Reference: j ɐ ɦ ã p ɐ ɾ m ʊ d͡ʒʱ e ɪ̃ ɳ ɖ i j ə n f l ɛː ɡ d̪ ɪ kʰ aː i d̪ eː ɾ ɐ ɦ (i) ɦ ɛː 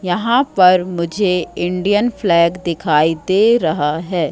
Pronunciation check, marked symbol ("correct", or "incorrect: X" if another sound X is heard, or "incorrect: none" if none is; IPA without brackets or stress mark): incorrect: a